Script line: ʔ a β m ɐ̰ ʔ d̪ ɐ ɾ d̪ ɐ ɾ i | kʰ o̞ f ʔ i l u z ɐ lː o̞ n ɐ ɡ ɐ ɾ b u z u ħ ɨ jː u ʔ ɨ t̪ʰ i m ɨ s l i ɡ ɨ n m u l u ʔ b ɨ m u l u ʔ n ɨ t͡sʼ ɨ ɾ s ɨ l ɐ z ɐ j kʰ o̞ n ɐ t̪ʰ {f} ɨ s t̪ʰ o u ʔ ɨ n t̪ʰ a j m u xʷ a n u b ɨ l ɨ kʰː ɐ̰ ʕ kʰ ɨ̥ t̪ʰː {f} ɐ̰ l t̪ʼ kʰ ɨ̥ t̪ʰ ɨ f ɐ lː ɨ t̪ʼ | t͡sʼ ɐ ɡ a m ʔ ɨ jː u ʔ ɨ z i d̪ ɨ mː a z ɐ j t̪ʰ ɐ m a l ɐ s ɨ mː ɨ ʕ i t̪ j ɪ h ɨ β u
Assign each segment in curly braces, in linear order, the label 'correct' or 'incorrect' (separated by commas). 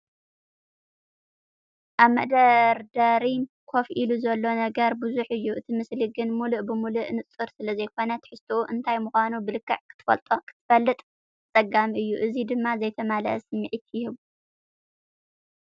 incorrect, correct